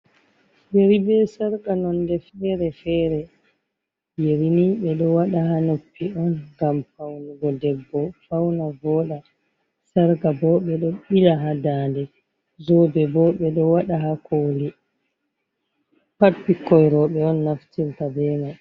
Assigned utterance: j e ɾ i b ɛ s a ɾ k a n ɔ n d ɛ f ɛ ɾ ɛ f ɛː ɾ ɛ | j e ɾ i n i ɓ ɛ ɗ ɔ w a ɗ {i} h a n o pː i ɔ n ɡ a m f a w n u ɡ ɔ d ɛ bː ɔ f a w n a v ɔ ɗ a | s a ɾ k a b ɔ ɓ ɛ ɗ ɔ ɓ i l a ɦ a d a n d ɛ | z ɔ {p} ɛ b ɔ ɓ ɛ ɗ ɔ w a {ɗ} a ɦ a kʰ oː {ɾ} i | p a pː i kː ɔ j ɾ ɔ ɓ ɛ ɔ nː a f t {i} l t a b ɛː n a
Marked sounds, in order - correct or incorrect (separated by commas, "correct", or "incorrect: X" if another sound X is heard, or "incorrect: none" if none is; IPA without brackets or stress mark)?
incorrect: a, incorrect: b, correct, incorrect: l, correct